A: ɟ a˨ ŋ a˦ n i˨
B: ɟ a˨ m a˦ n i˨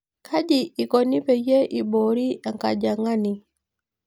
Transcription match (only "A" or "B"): A